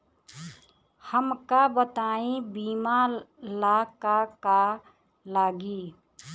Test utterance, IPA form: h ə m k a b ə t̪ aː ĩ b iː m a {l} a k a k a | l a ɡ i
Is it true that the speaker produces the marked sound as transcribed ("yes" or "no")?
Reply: yes